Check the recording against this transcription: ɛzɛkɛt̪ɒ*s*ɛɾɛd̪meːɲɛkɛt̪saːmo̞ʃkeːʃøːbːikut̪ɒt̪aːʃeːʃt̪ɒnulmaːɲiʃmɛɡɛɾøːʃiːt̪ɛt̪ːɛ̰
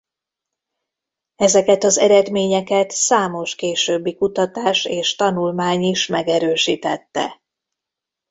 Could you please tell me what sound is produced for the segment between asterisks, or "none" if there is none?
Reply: z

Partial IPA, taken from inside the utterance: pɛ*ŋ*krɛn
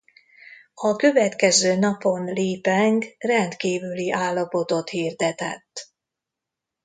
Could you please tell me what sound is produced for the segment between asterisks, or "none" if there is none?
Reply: ŋ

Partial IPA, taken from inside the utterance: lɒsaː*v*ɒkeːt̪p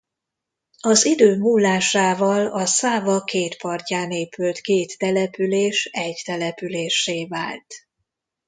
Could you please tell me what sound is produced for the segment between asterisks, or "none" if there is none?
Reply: v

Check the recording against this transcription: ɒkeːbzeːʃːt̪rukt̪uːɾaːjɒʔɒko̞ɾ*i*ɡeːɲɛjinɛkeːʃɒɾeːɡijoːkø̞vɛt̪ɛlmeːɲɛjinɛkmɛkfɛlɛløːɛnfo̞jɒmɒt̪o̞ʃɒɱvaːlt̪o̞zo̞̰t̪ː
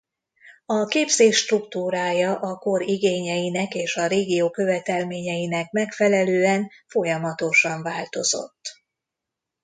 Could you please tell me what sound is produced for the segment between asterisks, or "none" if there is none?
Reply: i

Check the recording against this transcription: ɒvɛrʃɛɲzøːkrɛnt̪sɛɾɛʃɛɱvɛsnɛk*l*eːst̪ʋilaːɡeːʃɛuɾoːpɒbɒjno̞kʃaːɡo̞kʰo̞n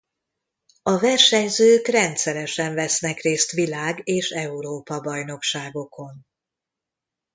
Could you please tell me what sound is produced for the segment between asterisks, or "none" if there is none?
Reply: r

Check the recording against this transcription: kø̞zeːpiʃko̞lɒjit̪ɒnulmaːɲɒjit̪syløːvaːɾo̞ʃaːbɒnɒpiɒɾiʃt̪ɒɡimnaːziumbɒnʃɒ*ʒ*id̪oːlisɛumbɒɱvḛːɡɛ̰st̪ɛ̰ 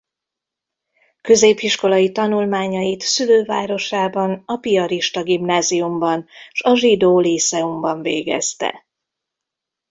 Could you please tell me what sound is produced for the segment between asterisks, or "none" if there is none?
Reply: ʒ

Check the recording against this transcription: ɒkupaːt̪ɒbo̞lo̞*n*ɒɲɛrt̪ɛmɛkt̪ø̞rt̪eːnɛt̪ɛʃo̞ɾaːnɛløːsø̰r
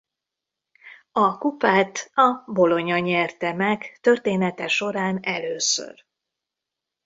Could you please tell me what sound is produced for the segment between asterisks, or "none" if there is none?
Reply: ɲ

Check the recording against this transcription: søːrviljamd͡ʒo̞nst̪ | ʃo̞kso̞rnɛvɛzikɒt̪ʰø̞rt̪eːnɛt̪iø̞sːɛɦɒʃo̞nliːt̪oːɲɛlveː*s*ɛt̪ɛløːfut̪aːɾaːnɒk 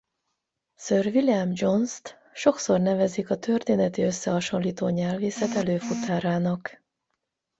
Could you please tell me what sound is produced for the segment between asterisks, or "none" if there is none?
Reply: s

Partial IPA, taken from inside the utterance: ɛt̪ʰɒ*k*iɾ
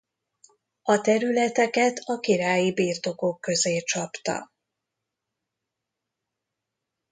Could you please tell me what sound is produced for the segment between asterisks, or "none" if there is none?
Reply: k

